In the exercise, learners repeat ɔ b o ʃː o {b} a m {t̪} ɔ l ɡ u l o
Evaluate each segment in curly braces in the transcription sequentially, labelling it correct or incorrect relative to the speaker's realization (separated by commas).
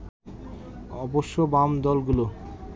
correct, incorrect